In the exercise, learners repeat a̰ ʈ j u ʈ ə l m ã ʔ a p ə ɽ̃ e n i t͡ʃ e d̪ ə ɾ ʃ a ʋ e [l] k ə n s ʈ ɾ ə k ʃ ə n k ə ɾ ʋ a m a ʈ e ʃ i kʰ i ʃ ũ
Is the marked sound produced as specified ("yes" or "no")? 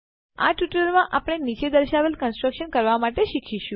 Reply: yes